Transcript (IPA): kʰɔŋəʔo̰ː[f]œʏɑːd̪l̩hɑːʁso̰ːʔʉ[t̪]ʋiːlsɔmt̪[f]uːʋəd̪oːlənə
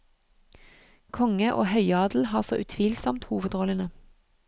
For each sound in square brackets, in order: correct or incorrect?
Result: incorrect: h, incorrect: t̪ʰ, incorrect: h

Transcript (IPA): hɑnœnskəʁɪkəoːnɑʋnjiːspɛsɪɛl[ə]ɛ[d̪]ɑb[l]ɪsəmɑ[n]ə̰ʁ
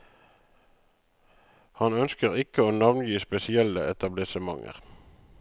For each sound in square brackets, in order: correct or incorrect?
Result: correct, incorrect: t̪, correct, incorrect: ŋ

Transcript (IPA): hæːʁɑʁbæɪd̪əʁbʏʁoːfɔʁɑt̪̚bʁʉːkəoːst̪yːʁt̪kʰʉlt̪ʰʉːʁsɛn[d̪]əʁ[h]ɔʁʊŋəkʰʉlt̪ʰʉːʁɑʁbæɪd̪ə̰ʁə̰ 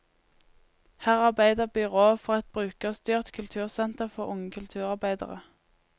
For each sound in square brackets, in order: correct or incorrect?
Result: incorrect: t̪, incorrect: f

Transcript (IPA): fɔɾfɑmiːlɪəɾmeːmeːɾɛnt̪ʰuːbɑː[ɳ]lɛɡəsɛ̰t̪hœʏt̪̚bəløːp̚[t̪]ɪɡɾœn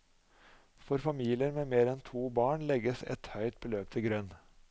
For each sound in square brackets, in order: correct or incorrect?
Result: correct, incorrect: t̪ʰ

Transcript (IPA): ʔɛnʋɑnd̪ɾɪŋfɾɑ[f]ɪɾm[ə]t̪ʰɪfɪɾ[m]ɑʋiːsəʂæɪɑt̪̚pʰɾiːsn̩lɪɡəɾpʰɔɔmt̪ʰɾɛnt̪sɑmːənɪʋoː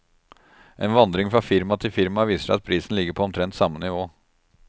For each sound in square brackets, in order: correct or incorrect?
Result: correct, incorrect: ɑ, correct

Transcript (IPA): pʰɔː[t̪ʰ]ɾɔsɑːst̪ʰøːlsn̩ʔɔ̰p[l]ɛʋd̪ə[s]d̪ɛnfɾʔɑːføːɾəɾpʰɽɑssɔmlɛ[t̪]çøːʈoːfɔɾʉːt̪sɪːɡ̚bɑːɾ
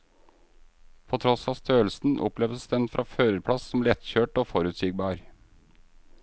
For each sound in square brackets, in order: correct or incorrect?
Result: correct, correct, correct, correct

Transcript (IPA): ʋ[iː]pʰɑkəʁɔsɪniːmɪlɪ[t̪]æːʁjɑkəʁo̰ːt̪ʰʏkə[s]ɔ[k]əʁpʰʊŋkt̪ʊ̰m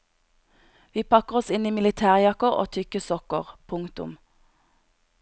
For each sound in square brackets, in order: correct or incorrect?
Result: correct, incorrect: t̪ʰ, correct, correct

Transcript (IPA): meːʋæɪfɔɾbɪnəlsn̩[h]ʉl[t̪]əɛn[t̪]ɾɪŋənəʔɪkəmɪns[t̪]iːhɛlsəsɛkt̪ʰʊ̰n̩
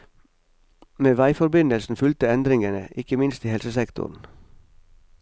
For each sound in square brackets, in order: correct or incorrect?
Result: incorrect: f, correct, incorrect: d̪, correct

